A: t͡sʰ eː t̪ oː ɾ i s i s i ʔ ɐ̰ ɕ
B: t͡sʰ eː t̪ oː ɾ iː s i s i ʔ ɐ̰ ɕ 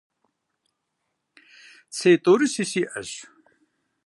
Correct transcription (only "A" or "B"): A